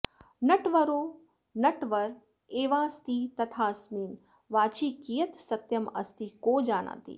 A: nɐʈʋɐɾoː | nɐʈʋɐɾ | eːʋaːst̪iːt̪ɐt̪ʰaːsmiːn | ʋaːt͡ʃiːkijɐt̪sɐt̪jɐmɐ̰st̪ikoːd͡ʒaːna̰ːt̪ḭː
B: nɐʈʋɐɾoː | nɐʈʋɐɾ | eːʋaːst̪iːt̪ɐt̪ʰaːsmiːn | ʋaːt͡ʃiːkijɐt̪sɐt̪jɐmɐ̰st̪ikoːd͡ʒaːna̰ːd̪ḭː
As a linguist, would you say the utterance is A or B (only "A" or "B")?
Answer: A